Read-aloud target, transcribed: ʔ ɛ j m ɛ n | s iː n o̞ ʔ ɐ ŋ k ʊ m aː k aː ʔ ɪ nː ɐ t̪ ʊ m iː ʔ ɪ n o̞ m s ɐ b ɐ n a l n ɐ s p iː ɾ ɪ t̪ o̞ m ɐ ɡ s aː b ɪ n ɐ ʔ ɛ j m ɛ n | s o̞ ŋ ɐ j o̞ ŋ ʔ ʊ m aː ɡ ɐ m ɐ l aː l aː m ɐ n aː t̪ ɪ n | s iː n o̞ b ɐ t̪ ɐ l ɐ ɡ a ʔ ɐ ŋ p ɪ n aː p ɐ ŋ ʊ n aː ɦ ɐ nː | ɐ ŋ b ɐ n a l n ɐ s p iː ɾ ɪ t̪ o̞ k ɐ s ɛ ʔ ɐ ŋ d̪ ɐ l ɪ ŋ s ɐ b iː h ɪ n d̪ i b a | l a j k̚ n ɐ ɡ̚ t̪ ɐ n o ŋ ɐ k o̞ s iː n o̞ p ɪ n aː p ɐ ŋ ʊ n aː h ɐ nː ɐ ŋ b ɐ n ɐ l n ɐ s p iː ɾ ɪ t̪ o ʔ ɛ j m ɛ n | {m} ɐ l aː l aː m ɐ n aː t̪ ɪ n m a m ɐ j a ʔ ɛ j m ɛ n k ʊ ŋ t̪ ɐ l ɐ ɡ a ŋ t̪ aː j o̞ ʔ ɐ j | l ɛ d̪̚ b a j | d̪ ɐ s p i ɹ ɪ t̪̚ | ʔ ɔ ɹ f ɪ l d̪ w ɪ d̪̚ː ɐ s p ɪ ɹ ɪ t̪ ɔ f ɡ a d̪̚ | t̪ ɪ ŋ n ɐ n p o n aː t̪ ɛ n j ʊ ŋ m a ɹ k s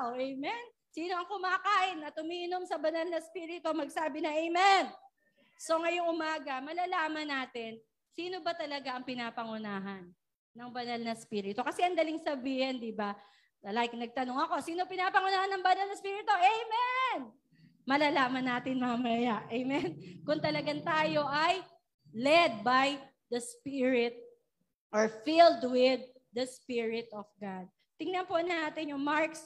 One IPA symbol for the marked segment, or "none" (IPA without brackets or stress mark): m